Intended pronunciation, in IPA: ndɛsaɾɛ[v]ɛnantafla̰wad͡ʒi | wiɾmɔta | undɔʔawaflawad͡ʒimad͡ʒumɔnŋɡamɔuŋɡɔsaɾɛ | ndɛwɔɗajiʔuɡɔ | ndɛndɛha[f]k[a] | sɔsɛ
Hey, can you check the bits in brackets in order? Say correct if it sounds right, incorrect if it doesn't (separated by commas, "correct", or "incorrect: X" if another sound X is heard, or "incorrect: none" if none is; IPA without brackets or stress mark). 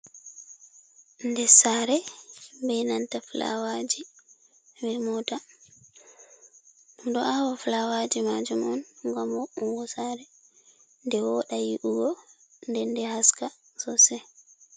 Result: incorrect: b, incorrect: s, correct